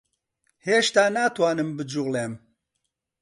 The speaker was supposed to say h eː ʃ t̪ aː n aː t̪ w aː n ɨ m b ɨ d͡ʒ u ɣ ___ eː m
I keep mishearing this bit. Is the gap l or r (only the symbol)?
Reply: l